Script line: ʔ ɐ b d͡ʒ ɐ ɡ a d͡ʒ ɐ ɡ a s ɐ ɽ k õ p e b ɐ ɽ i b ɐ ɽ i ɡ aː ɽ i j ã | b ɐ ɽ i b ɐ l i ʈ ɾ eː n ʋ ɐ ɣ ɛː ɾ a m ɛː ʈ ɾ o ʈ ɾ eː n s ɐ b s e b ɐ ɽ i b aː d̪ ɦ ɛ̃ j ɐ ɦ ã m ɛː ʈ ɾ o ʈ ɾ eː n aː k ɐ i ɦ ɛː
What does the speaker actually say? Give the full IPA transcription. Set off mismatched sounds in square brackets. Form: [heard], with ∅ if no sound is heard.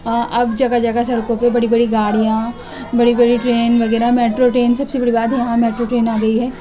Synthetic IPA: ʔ ɐ b d͡ʒ ɐ ɡ a d͡ʒ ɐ ɡ a s ɐ ɽ k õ p e b ɐ ɽ i b ɐ ɽ i ɡ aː ɽ i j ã | b ɐ ɽ i b ɐ [ɽ] i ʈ ɾ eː n ʋ ɐ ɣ ɛː ɾ a m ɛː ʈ ɾ o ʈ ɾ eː n s ɐ b s e b ɐ ɽ i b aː d̪ ɦ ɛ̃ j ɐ ɦ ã m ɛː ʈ ɾ o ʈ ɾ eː n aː [ɡ] ɐ i ɦ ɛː